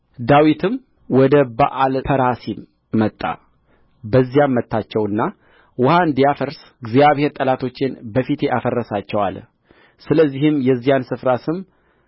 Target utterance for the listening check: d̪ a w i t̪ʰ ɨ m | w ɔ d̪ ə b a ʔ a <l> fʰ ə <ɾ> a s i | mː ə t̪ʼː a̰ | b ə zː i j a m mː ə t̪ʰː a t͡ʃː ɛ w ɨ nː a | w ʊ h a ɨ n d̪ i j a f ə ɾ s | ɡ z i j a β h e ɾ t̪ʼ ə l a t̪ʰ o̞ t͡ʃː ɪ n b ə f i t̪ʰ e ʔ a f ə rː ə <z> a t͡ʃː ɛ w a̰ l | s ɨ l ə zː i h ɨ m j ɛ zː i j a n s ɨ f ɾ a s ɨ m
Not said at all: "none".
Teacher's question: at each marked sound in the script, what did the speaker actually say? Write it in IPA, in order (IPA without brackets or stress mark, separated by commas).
l, ɾ, s